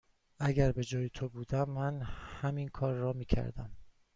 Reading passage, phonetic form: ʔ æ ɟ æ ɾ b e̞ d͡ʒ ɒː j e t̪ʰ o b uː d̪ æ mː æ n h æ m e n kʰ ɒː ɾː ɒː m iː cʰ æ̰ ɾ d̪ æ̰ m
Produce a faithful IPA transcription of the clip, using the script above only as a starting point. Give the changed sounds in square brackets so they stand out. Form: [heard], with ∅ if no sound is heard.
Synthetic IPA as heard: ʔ æ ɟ æ ɾ b e̞ d͡ʒ ɒː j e t̪ʰ o b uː d̪ æ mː æ n h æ m [i] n kʰ ɒː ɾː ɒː m iː cʰ æ̰ ɾ d̪ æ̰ m